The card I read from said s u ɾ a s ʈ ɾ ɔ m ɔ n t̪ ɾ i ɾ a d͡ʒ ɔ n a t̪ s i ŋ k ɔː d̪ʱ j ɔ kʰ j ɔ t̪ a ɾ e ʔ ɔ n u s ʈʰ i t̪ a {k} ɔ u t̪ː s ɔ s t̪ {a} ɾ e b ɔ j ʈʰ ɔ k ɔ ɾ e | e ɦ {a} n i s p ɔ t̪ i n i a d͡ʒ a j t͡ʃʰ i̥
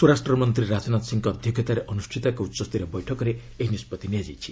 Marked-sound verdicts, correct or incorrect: correct, incorrect, incorrect

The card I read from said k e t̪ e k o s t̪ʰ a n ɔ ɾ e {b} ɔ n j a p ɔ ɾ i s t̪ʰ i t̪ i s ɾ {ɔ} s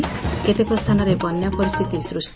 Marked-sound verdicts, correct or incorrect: correct, incorrect

